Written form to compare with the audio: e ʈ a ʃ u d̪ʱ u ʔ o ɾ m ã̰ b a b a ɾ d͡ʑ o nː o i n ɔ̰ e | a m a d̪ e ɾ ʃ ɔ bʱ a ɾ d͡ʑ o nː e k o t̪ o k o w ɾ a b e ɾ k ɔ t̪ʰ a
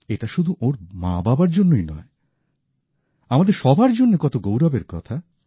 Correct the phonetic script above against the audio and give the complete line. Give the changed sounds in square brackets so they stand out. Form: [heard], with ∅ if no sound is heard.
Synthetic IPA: e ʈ a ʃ u d̪ʱ u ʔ o ɾ m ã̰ b a b a ɾ d͡ʑ o nː o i n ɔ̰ e | a m a d̪ e ɾ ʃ ɔ bʱ a ɾ d͡ʑ o nː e k [ɔ] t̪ o [ɡ] o w ɾ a b e ɾ k ɔ t̪ʰ a

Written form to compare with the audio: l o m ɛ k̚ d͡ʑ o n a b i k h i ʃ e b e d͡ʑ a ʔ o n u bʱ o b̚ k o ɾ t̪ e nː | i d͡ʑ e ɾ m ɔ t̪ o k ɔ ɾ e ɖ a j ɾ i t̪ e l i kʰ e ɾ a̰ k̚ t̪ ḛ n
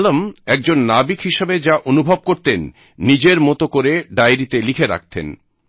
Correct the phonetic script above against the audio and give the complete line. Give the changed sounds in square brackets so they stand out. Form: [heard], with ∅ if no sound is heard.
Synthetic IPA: l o m ɛ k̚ d͡ʑ o [nː] a b i k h i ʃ e b e d͡ʑ a ʔ o n u bʱ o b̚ k o ɾ t̪ e nː | i d͡ʑ e ɾ m ɔ t̪ o k [o] ɾ e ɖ a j ɾ i t̪ e l i kʰ e ɾ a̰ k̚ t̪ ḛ n

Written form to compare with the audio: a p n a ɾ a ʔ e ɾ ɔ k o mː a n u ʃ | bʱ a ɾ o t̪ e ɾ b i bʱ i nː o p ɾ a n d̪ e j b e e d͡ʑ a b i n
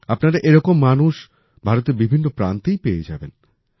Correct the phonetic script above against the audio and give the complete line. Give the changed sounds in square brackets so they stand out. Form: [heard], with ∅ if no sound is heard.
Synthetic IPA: a p n a ɾ a ʔ e ɾ ɔ k o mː a n u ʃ | bʱ a ɾ o t̪ e ɾ b i bʱ i nː o p ɾ a n [t̪] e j [p] e e d͡ʑ a b [e] n

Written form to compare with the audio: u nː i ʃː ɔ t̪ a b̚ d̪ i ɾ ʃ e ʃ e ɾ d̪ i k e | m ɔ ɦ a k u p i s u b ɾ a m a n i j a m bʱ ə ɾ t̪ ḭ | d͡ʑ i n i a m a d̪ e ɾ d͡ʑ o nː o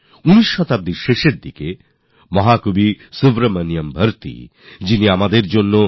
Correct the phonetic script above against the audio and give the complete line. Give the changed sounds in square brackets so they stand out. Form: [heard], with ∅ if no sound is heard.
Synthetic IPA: u [n] i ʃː ɔ t̪ a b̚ d̪ i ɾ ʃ e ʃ e ɾ d̪ i k e | m ɔ ɦ a k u [b] i s u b ɾ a m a n i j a m bʱ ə ɾ t̪ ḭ | d͡ʑ i n i a m a d̪ e ɾ d͡ʑ o nː o

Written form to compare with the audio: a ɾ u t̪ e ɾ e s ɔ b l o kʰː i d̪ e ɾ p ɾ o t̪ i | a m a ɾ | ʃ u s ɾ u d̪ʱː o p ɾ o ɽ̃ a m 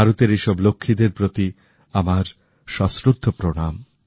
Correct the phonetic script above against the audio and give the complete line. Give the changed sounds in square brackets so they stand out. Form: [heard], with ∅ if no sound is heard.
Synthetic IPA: a ɾ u t̪ e ɾ e [ʃ] ɔ b l o kʰː i d̪ e ɾ p ɾ o t̪ i | a m a ɾ | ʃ [ɔ] s ɾ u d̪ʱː o p ɾ o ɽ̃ a m

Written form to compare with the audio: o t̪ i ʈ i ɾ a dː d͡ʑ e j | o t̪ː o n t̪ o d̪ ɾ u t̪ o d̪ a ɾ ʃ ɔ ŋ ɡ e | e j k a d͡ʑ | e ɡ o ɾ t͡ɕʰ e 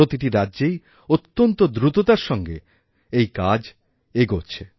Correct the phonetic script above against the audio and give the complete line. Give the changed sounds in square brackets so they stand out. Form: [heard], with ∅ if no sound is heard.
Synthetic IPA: o t̪ i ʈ i ɾ a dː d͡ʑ e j | o t̪ː o n t̪ o d̪ ɾ u t̪ o [t̪] a ɾ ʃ ɔ ŋ ɡ e | e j k a d͡ʑ | e ɡ o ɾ t͡ɕʰ e

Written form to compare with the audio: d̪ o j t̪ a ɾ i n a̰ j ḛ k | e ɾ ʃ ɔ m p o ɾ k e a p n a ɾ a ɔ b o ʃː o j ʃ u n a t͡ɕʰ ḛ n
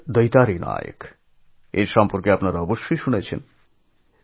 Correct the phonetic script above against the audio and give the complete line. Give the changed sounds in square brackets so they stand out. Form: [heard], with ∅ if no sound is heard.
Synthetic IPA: d̪ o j t̪ a ɾ i n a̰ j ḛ k | e ɾ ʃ ɔ m p o ɾ k e a p n a ɾ a ɔ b o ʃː o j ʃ u n [e] t͡ɕʰ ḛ n

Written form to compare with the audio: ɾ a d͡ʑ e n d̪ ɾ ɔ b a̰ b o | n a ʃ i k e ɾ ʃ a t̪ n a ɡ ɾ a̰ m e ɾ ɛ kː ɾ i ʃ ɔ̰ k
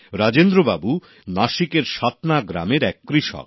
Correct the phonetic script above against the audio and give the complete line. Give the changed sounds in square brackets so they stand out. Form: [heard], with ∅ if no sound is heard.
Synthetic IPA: ɾ a d͡ʑ e n d̪ ɾ [o] b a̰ b [u] | n a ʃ i k e ɾ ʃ a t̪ n a ɡ ɾ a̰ m e ɾ ɛ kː ɾ i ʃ ɔ̰ k

